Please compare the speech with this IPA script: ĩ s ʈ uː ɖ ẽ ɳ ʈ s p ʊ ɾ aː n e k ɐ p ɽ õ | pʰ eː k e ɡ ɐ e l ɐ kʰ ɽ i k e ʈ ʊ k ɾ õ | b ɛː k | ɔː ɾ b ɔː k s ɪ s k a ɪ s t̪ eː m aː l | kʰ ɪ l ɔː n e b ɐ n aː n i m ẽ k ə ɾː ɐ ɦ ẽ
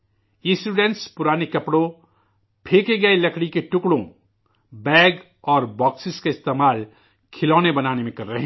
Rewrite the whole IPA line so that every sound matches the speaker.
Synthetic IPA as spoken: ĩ s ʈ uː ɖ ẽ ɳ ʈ s p ʊ ɾ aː n e k ɐ p ɽ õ | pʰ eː k e ɡ ɐ e l ɐ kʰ ɽ i k e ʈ ʊ k ɽ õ | b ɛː ɡ | ɔː ɾ b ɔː k s ɪ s k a ɪ s t̪ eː m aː l | kʰ ɪ l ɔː n e b ɐ n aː n e m ẽ k ɐ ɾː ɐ ɦ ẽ

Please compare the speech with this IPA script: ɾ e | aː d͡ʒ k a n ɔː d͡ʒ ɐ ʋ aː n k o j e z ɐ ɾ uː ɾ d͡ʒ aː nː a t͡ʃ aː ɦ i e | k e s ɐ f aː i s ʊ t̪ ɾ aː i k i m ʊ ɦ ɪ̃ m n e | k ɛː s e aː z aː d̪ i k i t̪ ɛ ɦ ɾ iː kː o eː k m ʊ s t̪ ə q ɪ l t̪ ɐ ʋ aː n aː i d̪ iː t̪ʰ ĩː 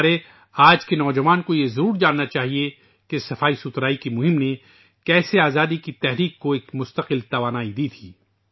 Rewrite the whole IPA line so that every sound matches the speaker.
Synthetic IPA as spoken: ɾ e | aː d͡ʒ k e n ɔː d͡ʒ ɐ ʋ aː n k o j e z ɐ ɾ uː ɾ d͡ʒ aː nː a t͡ʃ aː ɦ i e | k e s ɐ f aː i s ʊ t̪ ɾ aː i k i m ʊ ɦ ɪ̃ m n e | k ɛː s e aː z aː d̪ i k i t̪ ɛ ɦ ɾ iː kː o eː k m ʊ s t̪ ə q ɪ l t̪ ɐ ʋ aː n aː i d̪ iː t̪ʰ iː

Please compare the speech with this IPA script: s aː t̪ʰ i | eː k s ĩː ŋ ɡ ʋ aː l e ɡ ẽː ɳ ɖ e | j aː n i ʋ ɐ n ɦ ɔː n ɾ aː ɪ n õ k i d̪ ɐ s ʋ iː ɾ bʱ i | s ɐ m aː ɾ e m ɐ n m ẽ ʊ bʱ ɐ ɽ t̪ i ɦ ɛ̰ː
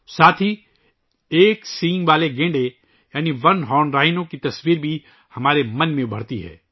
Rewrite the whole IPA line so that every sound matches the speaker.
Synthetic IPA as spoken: s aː t̪ʰ i | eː k s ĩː ŋ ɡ ʋ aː l e ɡ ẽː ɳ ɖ e | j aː n i ʋ ɐ n ɦ ɔː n ɾ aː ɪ n õ k i t̪ ɐ s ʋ iː ɾ bʱ i | h ɐ m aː ɾ e m ɐ n m ẽ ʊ bʱ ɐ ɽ t̪ i ɦ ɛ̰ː

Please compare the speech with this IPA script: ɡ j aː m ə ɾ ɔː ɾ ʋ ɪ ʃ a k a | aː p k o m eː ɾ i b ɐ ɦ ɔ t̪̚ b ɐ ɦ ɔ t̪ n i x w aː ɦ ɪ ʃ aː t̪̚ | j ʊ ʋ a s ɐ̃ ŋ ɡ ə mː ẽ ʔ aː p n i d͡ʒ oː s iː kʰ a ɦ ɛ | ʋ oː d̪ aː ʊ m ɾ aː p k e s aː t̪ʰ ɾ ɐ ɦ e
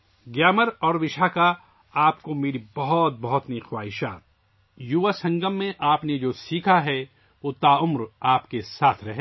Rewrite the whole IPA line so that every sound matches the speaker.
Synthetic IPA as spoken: ɡ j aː m ə ɾ ɔː ɾ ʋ ɪ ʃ a k a | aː p k o m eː ɾ i b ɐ ɦ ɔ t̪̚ b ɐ ɦ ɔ t̪ n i x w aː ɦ ɪ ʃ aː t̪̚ | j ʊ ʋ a s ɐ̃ ŋ ɡ ə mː ẽ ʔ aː p n e d͡ʒ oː s iː kʰ a ɦ ɛ | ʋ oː t̪ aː ʊ m ɾ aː p k e s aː t̪ʰ ɾ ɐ ɦ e

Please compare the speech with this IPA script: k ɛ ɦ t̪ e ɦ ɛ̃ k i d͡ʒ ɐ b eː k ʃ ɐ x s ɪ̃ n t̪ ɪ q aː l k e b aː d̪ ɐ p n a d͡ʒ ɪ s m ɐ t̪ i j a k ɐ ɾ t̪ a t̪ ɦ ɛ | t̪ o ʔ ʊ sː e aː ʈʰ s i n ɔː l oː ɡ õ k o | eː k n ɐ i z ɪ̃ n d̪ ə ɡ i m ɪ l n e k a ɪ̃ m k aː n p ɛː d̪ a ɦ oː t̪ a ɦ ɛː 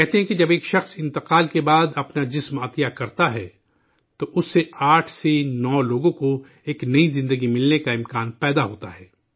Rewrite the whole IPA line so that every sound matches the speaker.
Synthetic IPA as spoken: k ɛ ɦ t̪ e ɦ ɛ̃ k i d͡ʒ ɐ b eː k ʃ ɐ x s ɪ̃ n t̪ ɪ q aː l k e b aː d̪ ɐ p n a d͡ʒ ɪ s m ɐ t̪ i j a k ɐ ɾ t̪ a ɦ ɛ | t̪ o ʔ ʊ sː e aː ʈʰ s e n ɔː l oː ɡ õ k o | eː k n ɐ i z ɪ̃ n d̪ ə ɡ i m ɪ l n e k a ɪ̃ m k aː n p ɛː d̪ a ɦ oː t̪ a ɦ ɛː

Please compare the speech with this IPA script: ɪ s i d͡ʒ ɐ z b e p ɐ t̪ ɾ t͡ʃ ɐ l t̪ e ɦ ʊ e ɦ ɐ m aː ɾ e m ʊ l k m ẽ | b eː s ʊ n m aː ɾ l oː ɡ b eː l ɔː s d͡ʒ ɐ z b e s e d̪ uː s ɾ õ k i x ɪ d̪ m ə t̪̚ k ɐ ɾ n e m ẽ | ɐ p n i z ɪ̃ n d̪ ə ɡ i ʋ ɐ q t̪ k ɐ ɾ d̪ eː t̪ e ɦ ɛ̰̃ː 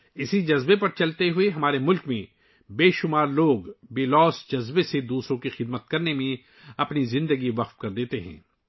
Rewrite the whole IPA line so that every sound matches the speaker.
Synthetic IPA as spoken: ɪ s i d͡ʒ ɐ z b e p ɐ ɾ t͡ʃ ɐ l t̪ e ɦ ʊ e ɦ ɐ m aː ɾ e m ʊ l k m ẽ | b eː ʃ ʊ m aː ɾ l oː ɡ b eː l ɔː s d͡ʒ ɐ z b e s e d̪ uː s ɾ õ k i x ɪ d̪ m ə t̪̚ k ɐ ɾ n e m ẽ | ɐ p n i z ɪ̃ n d̪ ə ɡ i ʋ ɐ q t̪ k ɐ ɾ d̪ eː t̪ e ɦ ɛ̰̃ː

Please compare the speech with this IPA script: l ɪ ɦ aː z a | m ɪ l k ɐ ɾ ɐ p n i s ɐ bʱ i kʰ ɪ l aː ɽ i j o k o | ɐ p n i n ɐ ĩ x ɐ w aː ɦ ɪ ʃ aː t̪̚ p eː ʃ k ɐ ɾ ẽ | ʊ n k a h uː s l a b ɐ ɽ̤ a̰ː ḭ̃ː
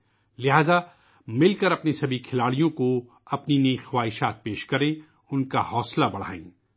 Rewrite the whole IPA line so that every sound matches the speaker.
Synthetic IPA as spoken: l ɪ ɦ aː z a | m ɪ l k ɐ ɾ ɐ p n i s ɐ bʱ i kʰ ɪ l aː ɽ i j õ k o | ɐ p n i n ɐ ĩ x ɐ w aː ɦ ɪ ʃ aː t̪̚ p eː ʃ k ɐ ɾ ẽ | ʊ n k a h ɔː s l a b ɐ ɽ̤ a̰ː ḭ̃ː

